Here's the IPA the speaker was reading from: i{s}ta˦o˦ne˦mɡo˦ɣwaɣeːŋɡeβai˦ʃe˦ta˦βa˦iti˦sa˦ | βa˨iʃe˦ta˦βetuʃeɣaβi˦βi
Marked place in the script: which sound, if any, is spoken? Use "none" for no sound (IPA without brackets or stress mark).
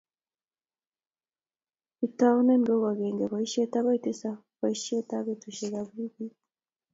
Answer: none